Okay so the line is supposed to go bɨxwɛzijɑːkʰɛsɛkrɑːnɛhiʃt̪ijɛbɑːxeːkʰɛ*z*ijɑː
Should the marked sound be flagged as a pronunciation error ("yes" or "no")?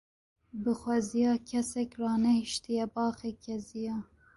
no